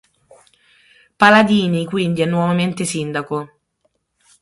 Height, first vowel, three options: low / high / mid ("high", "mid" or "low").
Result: low